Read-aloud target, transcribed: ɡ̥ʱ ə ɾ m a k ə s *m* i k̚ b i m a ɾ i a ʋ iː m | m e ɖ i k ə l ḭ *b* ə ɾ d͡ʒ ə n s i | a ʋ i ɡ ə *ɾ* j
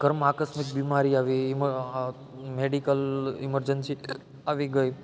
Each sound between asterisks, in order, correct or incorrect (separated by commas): correct, incorrect, incorrect